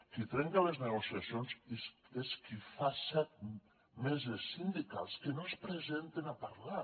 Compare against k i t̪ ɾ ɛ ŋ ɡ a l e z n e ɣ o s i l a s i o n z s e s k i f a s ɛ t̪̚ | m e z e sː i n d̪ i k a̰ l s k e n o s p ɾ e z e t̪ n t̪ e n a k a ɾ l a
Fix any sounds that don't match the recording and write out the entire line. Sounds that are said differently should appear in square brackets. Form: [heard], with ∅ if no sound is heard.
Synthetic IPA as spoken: k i t̪ ɾ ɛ ŋ [k] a l e z n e ɣ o s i [∅] a s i o n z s e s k i f a s ɛ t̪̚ | m e z e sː i n d̪ i k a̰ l s k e n o s p ɾ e z e [∅] n t̪ e n a [p] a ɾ l a